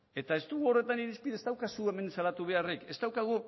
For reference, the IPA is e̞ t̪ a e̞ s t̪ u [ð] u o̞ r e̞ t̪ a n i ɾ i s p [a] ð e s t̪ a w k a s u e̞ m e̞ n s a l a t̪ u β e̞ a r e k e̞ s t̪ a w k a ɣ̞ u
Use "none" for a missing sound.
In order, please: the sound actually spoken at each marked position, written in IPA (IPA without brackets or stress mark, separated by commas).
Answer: ɣ, i